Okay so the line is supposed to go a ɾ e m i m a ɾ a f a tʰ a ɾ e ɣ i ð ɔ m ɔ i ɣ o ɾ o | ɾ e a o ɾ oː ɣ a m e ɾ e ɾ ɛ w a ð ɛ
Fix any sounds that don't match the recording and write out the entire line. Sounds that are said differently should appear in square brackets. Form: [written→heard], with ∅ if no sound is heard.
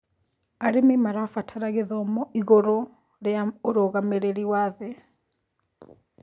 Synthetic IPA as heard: a ɾ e m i m a ɾ a f a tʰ a ɾ [e→a] ɣ [i→e] ð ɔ m ɔ i ɣ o ɾ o | ɾ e a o ɾ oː ɣ a m e ɾ e ɾ [ɛ→i] w a ð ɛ